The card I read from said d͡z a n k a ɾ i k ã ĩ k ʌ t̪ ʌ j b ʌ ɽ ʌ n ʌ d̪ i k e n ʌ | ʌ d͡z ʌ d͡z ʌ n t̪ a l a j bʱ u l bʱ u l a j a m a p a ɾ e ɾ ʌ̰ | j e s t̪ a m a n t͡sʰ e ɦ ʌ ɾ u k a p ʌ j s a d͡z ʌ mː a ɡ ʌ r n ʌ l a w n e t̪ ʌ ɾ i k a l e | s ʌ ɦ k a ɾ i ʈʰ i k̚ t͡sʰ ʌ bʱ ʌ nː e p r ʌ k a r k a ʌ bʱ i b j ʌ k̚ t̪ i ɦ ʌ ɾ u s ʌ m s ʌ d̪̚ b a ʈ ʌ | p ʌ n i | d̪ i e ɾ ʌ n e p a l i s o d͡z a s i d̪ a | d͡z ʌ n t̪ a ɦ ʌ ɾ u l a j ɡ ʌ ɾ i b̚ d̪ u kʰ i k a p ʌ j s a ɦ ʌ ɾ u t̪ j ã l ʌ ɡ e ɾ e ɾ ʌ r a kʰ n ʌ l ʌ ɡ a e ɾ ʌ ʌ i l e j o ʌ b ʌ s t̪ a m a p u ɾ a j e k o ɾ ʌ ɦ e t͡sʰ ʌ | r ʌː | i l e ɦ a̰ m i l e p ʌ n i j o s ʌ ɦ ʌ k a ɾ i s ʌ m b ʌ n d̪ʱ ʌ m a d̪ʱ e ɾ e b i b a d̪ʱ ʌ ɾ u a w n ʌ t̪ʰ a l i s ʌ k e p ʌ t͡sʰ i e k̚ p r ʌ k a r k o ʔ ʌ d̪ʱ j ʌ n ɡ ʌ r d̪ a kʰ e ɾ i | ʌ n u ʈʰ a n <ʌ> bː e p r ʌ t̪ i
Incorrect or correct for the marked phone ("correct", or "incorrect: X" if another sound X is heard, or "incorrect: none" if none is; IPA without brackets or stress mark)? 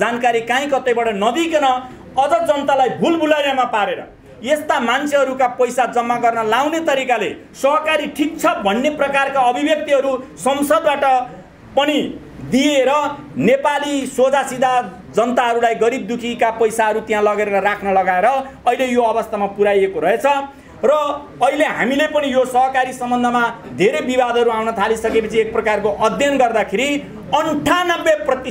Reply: correct